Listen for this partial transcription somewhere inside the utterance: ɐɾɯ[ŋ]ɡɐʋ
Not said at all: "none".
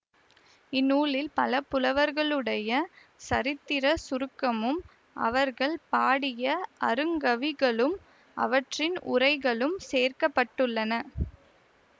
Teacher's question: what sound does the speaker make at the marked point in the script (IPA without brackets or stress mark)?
ŋ